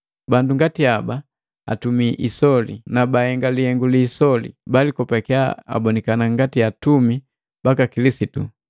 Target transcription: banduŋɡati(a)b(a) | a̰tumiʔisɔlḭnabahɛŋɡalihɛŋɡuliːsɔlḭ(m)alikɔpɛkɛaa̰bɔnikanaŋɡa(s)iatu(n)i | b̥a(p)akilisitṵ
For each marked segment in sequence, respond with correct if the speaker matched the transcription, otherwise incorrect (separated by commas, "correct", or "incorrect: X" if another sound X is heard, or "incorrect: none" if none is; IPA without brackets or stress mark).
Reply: correct, correct, incorrect: b, incorrect: t, incorrect: m, incorrect: k